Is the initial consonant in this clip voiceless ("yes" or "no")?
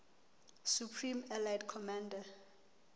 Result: yes